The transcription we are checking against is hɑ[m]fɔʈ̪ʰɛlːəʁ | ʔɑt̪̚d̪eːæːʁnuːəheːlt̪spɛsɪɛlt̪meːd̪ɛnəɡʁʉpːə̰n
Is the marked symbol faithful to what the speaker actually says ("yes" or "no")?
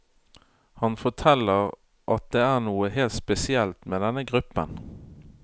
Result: no